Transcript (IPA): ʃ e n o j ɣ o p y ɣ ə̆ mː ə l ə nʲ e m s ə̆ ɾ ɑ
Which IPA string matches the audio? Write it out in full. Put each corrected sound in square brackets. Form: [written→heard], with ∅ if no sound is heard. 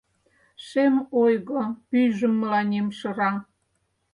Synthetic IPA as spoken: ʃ e [n→m] o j ɣ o p y [ɣ→ʒ] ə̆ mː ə l [ə→ɑ] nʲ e m [s→ʃ] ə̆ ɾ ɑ